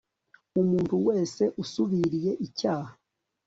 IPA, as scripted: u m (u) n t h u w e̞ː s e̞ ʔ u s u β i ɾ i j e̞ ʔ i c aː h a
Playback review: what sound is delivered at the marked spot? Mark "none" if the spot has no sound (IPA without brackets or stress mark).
uː